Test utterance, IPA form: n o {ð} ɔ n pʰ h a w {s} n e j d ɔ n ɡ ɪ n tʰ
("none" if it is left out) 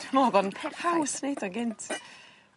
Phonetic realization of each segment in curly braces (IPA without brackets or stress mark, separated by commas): ð, s